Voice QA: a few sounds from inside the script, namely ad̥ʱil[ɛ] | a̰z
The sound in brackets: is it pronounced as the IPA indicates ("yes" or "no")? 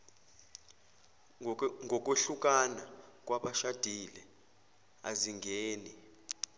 yes